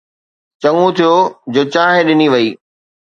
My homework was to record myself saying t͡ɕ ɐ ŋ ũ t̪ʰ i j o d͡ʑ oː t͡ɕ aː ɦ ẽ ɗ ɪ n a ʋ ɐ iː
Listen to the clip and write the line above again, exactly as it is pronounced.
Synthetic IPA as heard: t͡ɕ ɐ ŋ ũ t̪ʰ i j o d͡ʑ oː t͡ɕ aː ɦ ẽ ɗ ɪ n i ʋ ɐ iː